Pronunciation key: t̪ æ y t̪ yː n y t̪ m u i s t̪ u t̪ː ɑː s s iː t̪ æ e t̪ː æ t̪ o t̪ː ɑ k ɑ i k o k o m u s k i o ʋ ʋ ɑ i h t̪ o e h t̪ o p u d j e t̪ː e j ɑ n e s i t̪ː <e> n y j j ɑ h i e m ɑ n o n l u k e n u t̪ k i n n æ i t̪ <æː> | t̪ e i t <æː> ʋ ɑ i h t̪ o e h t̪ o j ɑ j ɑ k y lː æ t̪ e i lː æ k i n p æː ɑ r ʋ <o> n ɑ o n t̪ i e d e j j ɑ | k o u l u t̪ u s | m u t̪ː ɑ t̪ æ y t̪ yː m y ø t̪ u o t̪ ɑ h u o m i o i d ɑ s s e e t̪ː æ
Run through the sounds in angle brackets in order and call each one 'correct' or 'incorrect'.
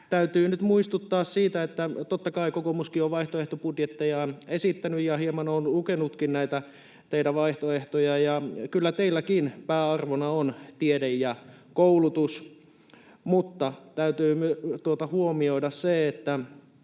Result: incorrect: æ, incorrect: æ, incorrect: æ, correct

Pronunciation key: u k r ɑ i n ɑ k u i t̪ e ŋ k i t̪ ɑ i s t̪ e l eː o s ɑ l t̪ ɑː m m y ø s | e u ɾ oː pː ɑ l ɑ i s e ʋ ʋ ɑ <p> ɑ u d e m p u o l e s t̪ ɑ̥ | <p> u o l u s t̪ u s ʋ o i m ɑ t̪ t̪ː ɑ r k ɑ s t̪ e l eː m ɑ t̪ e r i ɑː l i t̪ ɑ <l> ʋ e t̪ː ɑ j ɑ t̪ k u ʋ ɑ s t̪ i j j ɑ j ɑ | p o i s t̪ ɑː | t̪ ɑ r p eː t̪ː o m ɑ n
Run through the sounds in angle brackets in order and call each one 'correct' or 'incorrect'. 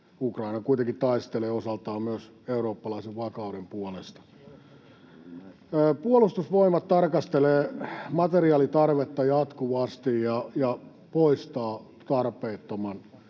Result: incorrect: k, correct, incorrect: r

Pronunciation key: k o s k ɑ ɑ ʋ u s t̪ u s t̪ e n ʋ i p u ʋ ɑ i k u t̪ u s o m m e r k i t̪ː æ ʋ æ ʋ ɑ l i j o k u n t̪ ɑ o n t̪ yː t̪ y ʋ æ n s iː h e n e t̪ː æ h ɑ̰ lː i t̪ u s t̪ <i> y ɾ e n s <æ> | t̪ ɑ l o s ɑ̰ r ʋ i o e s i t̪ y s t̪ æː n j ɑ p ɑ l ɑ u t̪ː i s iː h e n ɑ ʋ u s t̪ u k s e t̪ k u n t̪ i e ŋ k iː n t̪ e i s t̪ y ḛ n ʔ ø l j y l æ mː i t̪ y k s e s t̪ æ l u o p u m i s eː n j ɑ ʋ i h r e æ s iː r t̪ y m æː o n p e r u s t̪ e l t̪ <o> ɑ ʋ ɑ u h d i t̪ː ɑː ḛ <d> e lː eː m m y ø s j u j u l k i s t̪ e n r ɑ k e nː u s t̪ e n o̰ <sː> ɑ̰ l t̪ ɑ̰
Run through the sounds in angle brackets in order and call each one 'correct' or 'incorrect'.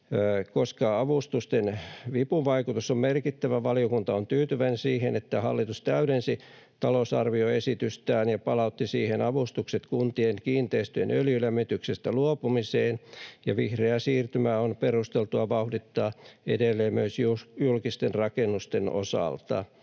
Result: incorrect: æ, incorrect: i, incorrect: u, correct, incorrect: s

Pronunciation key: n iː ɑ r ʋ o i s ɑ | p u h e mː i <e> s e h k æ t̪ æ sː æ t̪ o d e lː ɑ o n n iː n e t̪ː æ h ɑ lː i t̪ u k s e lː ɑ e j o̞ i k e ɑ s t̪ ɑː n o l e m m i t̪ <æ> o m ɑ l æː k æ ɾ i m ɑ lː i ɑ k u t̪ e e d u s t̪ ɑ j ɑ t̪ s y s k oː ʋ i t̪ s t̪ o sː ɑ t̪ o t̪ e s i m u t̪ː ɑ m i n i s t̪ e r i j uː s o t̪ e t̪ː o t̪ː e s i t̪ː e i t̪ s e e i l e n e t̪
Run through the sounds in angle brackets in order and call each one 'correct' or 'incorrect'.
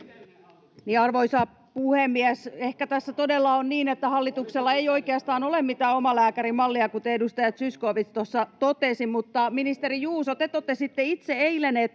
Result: incorrect: æ, incorrect: æː

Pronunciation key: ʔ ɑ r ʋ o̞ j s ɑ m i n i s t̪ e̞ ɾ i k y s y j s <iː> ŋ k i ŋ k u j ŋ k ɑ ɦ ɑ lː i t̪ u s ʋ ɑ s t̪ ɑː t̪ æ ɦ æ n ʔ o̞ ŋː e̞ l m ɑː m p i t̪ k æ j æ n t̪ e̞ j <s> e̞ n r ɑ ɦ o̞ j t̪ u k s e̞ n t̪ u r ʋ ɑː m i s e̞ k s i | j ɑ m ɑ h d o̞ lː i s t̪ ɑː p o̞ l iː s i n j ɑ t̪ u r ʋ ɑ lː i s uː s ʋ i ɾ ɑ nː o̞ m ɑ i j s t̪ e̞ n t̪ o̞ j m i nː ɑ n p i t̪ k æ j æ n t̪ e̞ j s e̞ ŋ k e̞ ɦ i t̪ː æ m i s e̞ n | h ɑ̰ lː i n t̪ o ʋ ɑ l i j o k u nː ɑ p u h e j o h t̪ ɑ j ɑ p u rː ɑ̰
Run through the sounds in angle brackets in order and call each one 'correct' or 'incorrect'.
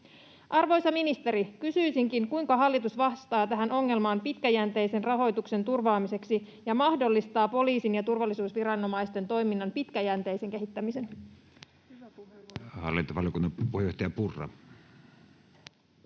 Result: incorrect: i, correct

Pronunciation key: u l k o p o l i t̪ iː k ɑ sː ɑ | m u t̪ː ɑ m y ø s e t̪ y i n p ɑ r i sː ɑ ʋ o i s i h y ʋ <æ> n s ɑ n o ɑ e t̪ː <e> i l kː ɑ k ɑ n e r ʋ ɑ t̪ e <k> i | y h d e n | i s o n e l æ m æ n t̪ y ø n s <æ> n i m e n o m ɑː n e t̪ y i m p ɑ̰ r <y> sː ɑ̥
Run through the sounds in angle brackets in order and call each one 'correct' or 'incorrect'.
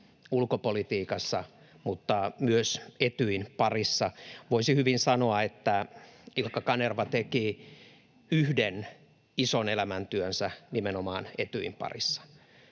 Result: incorrect: i, incorrect: æ, correct, correct, incorrect: i

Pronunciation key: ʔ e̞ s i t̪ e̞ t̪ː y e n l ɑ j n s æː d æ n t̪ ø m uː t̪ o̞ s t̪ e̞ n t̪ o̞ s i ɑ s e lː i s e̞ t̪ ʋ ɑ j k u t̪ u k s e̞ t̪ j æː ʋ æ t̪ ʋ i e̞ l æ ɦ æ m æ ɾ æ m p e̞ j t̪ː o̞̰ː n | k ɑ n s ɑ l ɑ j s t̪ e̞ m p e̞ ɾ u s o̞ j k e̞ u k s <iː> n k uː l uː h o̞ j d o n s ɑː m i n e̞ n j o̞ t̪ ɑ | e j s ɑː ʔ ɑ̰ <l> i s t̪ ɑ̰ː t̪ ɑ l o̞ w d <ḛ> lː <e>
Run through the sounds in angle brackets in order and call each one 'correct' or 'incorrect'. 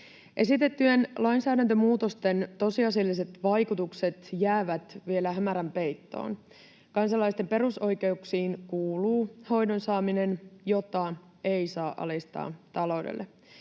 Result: correct, correct, correct, correct

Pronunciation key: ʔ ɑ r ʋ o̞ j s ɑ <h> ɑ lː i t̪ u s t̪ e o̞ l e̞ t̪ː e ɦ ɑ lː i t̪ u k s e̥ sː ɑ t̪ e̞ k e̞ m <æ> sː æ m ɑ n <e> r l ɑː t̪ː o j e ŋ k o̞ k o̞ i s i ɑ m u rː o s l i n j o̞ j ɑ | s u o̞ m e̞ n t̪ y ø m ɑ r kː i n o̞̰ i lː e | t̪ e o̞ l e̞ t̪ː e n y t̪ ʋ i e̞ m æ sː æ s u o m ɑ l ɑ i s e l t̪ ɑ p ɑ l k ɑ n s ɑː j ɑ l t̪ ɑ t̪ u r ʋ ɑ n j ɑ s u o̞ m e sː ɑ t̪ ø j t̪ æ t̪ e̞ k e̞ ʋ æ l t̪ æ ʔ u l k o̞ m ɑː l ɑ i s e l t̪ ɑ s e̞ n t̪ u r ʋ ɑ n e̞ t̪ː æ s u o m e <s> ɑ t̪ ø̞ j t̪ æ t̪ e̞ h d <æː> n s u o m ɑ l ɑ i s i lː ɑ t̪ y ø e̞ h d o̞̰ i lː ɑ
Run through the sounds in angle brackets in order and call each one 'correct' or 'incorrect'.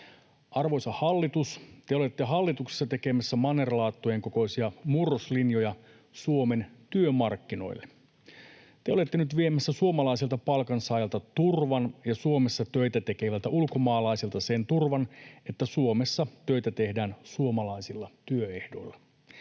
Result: correct, correct, correct, incorrect: sː, correct

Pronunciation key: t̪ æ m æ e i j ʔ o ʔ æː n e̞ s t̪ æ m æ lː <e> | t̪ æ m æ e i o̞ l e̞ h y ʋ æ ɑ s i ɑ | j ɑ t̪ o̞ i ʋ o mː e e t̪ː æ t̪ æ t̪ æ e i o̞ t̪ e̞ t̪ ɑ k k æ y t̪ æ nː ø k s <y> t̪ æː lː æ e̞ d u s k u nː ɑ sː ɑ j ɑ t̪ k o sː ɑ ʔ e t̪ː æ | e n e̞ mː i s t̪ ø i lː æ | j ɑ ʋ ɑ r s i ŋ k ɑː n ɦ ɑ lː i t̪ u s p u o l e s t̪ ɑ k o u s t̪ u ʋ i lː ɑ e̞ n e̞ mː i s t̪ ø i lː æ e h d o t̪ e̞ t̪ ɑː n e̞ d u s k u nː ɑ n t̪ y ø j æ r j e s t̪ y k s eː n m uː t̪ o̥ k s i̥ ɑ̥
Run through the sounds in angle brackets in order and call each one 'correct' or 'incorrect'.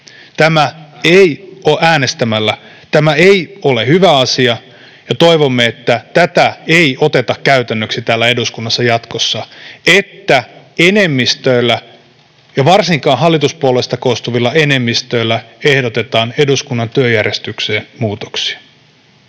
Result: incorrect: æ, incorrect: i

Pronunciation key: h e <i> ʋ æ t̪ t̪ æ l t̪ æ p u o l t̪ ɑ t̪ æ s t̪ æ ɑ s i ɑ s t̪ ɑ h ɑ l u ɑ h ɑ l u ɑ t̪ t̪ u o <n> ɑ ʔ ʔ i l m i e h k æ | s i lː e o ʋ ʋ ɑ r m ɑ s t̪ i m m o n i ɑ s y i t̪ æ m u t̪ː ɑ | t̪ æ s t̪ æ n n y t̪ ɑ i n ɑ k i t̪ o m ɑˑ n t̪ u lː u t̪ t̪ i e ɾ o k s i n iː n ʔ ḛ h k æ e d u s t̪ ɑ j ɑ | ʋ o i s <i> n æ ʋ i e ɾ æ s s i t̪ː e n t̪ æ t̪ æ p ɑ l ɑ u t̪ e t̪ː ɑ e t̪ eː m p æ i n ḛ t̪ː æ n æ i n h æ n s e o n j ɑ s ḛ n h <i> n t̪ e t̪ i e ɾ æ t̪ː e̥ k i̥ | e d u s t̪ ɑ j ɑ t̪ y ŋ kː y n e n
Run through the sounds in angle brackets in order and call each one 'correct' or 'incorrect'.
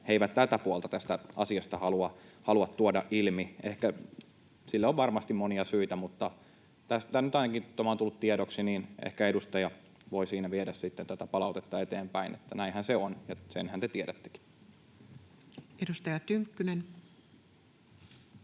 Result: correct, incorrect: d, incorrect: iː, incorrect: æ

